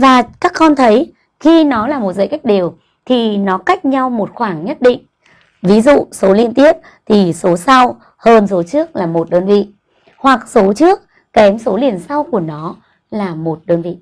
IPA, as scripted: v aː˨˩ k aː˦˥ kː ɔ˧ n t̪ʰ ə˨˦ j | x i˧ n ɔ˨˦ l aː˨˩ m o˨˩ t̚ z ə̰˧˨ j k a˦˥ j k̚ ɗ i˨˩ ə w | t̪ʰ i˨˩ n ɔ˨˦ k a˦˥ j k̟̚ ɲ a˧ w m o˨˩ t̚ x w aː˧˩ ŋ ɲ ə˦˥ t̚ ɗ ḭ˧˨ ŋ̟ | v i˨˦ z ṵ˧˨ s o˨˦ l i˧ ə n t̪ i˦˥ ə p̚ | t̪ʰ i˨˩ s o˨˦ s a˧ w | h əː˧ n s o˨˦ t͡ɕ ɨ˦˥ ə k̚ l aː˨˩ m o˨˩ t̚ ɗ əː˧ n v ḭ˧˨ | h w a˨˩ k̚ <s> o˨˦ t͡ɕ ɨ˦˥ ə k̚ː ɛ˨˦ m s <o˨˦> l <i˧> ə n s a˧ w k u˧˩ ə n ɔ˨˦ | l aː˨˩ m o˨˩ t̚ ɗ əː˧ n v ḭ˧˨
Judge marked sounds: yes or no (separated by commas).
yes, yes, no